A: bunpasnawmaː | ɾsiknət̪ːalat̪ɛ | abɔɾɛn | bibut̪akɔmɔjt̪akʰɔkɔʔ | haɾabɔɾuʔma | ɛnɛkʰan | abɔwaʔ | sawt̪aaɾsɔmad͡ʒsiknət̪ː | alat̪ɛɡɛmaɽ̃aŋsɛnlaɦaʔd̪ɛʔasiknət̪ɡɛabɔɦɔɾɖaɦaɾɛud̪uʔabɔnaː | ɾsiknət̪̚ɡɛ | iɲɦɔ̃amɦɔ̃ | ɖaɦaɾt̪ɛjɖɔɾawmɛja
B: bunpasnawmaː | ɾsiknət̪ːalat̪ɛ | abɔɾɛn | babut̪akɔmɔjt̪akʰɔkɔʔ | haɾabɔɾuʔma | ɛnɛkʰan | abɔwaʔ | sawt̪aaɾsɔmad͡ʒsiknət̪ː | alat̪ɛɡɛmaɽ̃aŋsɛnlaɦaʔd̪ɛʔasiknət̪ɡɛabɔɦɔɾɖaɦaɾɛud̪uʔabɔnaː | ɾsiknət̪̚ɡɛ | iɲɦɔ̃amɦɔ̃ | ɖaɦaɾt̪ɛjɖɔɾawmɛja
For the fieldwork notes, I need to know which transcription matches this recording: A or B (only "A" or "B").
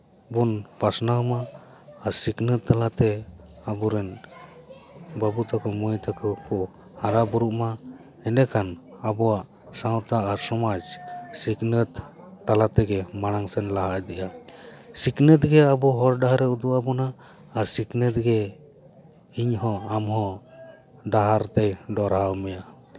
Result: B